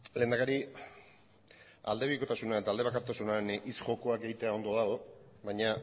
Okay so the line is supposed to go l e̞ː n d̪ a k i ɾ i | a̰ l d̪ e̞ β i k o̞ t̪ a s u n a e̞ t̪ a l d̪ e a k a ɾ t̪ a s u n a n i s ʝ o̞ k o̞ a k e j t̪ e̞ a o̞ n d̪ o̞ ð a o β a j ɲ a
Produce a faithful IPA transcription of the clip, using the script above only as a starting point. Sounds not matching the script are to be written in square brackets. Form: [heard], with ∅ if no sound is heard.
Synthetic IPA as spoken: l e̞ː n d̪ a k [a] ɾ i | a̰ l d̪ e̞ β i k o̞ t̪ a s u n a e̞ t̪ a l d̪ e a k a ɾ t̪ a s u n a n i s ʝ o̞ k o̞ a k e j t̪ e̞ a o̞ n d̪ o̞ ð a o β a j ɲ a